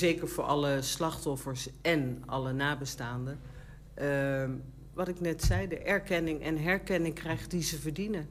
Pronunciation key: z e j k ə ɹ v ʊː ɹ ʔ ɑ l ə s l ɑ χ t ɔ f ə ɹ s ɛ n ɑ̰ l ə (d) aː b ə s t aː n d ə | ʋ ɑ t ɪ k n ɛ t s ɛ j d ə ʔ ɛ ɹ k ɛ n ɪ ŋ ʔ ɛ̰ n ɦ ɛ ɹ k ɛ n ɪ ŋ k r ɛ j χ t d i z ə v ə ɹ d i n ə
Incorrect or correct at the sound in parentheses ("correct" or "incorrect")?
incorrect